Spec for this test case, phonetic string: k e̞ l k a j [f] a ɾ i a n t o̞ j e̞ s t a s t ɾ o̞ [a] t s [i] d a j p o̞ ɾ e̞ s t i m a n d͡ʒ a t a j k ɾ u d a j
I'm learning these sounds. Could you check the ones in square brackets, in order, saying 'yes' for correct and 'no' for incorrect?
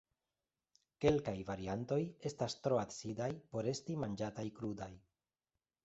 no, yes, yes

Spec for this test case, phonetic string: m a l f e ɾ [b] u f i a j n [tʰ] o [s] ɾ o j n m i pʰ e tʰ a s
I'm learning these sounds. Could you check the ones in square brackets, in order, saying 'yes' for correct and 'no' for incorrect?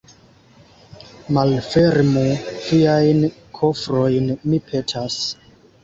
no, no, no

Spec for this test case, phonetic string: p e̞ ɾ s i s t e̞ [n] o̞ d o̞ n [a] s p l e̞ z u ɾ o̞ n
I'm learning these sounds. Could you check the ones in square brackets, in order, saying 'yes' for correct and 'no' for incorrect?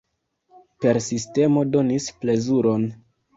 no, no

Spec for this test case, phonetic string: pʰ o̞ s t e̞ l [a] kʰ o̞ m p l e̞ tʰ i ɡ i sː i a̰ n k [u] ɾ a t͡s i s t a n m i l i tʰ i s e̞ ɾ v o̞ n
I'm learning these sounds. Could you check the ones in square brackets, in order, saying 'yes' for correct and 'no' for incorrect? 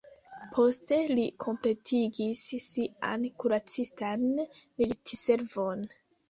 no, yes

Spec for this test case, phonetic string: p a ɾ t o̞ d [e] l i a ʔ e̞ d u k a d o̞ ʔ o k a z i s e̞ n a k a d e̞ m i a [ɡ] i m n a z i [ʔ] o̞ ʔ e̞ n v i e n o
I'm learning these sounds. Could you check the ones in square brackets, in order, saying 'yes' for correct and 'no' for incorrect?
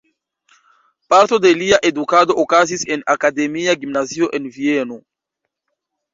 yes, yes, no

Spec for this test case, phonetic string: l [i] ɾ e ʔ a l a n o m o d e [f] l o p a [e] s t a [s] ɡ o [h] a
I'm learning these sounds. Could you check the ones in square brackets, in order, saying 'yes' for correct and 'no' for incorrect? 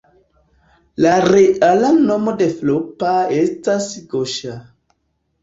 no, yes, yes, yes, no

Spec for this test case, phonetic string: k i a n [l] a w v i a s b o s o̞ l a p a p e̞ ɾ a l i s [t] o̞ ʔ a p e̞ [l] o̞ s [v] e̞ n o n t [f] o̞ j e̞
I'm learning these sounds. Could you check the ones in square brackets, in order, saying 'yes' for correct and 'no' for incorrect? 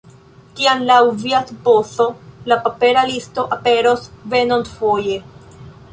yes, yes, no, yes, yes

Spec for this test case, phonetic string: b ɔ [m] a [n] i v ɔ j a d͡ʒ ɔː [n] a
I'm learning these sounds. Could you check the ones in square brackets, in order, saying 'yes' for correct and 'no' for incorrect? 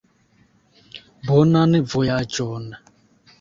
no, yes, yes

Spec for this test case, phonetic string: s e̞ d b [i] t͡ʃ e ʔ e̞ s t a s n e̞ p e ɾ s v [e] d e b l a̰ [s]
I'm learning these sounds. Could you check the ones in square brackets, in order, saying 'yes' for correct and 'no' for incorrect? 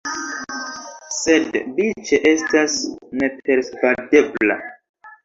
yes, no, no

